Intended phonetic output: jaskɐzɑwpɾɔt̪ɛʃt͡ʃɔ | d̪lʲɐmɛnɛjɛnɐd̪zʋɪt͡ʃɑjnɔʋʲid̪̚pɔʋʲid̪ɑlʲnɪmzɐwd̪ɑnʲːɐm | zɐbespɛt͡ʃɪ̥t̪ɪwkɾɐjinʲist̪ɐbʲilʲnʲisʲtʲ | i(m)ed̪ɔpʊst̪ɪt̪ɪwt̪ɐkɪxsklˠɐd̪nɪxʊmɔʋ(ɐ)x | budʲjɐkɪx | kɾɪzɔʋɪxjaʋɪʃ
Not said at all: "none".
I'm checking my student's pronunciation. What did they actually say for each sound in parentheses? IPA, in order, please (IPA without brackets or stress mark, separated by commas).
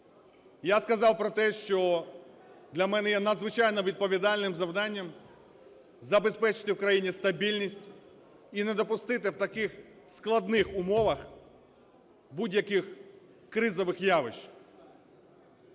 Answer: n, ɐ